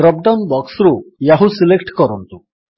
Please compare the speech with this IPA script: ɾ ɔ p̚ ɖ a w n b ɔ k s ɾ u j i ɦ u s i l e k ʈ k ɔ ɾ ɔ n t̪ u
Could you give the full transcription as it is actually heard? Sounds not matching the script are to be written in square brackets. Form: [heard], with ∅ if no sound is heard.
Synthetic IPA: ɾ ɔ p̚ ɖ a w n b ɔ k s ɾ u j [a] ɦ u s i l e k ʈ k ɔ ɾ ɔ n t̪ u